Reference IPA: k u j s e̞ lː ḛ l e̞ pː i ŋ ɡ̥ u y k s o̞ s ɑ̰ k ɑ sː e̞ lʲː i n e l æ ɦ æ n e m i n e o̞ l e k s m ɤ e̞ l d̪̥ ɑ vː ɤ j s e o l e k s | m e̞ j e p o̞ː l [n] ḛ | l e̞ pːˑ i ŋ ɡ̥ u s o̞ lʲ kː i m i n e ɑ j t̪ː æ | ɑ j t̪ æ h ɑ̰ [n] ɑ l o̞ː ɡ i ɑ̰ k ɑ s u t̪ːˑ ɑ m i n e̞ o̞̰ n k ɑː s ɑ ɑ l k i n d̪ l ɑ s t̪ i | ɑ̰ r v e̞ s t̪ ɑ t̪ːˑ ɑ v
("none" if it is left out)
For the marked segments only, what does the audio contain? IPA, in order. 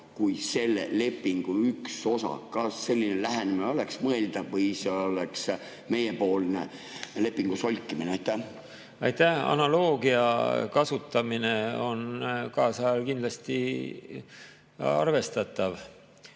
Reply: n, n

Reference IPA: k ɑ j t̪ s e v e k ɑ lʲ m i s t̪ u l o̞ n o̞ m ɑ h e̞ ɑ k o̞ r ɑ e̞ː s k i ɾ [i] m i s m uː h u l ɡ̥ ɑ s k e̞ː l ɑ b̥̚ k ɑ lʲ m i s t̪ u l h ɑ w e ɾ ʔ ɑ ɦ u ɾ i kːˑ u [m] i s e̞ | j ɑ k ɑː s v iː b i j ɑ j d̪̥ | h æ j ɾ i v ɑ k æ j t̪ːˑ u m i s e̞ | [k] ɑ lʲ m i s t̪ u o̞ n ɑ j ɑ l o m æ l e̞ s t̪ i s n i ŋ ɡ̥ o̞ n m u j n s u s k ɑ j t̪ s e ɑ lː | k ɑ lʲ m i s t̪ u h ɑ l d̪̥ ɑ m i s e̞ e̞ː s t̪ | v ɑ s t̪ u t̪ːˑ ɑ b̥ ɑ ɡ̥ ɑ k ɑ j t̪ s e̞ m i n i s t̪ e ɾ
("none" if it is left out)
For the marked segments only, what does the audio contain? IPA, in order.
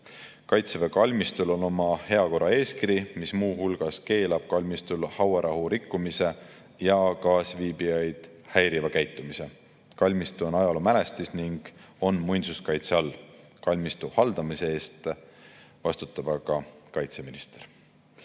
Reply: i, m, k

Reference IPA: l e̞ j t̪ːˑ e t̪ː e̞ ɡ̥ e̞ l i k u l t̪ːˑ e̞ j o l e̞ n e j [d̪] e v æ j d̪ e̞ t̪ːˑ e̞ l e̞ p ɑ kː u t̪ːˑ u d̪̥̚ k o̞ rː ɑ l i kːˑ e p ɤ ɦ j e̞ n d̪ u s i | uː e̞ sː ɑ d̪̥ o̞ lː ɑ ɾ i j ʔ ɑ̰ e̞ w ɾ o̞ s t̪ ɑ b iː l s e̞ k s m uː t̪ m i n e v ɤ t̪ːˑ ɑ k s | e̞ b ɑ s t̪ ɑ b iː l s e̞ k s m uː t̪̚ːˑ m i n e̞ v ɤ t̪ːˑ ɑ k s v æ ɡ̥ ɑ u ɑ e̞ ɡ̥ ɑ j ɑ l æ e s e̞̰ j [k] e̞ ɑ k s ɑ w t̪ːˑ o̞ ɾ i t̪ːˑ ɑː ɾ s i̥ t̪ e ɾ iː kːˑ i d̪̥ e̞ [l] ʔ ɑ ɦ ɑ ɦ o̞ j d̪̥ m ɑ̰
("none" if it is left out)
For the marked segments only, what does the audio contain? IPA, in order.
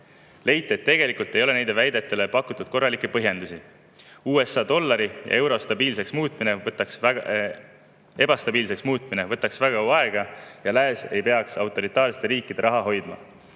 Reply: d̪, p, ɾ

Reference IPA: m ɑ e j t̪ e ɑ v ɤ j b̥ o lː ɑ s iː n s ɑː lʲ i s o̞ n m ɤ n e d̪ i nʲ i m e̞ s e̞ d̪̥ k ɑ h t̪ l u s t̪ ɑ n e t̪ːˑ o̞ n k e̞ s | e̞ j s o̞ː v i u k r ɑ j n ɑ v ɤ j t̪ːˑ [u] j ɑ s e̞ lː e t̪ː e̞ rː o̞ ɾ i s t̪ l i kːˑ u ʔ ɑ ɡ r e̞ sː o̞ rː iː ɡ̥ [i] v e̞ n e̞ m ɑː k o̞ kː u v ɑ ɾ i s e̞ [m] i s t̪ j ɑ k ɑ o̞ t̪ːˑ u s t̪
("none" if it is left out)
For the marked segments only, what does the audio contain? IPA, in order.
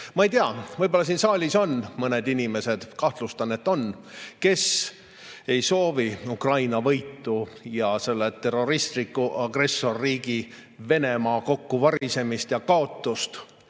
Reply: u, i, m

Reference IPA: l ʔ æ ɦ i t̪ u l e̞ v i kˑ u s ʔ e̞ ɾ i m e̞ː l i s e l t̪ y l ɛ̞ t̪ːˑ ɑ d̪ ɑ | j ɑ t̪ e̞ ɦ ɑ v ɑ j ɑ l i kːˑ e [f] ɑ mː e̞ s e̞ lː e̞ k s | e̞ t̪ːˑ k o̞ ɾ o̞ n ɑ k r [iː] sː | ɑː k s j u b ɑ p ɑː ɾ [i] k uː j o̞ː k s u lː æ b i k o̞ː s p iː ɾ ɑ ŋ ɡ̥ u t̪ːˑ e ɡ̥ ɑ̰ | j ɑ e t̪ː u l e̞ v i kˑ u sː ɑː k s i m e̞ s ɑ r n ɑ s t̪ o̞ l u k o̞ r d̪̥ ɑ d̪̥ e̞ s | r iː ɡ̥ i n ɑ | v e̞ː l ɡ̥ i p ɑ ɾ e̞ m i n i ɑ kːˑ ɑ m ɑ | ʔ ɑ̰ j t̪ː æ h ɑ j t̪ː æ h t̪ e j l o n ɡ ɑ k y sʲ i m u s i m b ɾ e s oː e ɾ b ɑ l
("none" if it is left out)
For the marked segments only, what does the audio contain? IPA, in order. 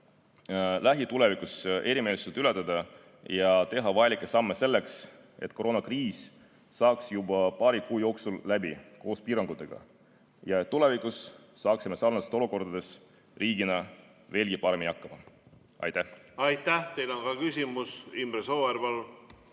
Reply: s, iː, i

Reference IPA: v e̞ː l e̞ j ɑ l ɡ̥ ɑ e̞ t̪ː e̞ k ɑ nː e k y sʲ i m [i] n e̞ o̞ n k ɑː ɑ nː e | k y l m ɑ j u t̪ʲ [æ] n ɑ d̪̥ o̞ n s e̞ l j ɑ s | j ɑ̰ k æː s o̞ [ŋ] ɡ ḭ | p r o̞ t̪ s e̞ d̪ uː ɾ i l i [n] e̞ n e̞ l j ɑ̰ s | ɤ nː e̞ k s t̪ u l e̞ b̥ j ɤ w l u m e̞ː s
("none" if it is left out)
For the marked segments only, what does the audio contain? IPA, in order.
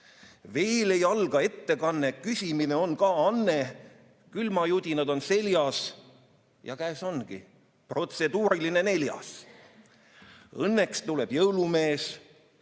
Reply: i, i, n, n

